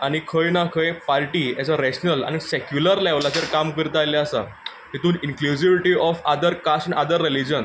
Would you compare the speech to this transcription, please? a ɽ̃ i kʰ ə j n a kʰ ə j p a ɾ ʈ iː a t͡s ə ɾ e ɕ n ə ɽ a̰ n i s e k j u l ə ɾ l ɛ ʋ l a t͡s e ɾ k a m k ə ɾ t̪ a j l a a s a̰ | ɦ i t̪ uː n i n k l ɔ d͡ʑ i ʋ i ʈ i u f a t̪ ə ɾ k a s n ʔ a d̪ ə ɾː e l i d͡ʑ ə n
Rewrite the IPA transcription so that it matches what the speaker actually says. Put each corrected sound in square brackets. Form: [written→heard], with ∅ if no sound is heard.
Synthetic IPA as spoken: a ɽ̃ i kʰ ə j n a kʰ ə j p a ɾ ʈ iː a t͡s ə ɾ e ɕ n ə [ɽ→l] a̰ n i s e k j u l ə ɾ l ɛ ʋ l a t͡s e ɾ k a m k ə ɾ t̪ a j l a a s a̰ | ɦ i t̪ uː n i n k l [ɔ→u] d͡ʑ i ʋ i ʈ i [u→ɔ] f a [t̪→d̪] ə ɾ k a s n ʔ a d̪ ə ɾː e l i d͡ʑ ə n